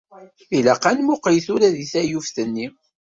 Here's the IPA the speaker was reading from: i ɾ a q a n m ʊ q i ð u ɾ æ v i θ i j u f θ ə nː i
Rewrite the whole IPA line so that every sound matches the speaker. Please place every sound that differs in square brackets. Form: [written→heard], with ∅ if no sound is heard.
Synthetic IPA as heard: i [ɾ→l] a q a n m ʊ q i [ð→θ] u ɾ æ [v→ð] i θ [i→æ] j u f θ ə nː i